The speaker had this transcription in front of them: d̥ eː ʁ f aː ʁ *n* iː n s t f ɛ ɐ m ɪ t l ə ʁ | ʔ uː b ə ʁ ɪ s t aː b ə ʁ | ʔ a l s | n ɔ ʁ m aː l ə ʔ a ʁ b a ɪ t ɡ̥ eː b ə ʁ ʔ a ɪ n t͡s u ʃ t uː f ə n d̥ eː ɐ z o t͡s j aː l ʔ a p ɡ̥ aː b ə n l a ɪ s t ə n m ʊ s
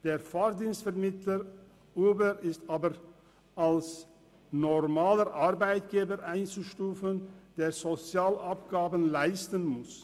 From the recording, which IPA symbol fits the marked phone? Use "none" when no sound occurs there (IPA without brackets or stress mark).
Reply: d